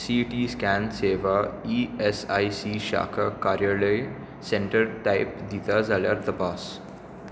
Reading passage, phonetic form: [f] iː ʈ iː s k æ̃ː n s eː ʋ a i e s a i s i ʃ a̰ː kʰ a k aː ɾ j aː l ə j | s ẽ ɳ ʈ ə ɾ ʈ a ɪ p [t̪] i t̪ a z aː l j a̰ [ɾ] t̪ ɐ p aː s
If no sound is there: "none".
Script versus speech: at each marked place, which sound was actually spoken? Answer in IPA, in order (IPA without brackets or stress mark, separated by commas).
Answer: s, d̪, ɾ